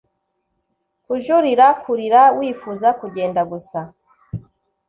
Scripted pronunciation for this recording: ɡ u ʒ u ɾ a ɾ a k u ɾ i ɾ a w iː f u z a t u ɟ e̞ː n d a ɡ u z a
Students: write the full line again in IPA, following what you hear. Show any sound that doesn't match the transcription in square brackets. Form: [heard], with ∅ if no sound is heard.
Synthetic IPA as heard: [k] u ʒ u ɾ [i] ɾ a k u ɾ i ɾ a w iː f u z a [k] u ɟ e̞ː n d a ɡ u [s] a